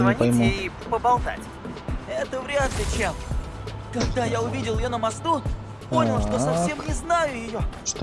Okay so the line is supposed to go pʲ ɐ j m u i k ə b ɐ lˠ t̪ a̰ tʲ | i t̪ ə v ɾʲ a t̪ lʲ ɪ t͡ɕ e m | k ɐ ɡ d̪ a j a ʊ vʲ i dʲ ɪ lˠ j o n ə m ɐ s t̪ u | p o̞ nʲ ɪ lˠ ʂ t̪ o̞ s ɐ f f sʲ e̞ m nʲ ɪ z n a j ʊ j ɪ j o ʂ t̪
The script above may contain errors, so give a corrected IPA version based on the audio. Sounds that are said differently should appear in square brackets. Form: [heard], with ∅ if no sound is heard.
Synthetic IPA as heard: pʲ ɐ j m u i [p] ə b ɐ lˠ t̪ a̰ tʲ | [ɛ] t̪ ə v ɾʲ a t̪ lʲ ɪ t͡ɕ e m | k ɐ ɡ d̪ a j a ʊ vʲ i dʲ ɪ lˠ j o n ə m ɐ s t̪ u | p o̞ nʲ ɪ lˠ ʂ t̪ o̞ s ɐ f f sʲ e̞ m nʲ ɪ z n a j ʊ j ɪ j o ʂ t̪